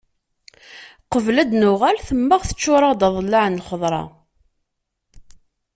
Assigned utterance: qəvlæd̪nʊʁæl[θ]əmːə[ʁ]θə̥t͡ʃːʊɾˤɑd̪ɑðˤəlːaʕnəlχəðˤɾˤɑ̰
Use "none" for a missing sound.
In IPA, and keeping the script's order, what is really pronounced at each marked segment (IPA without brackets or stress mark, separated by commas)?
θ, ʁ